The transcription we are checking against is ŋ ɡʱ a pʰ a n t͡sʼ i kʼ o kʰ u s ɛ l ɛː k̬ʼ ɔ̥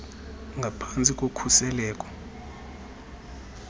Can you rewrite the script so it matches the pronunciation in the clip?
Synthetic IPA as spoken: ŋ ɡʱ a pʰ a n t͡sʼ i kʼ o kʰ u s ɛ l ɛː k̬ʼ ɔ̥